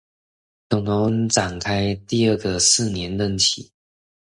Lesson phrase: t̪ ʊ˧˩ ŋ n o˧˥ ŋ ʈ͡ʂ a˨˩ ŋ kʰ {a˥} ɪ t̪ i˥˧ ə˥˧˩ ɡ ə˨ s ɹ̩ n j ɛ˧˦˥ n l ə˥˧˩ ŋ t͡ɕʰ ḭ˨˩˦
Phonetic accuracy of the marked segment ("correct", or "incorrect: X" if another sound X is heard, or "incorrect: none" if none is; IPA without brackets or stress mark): correct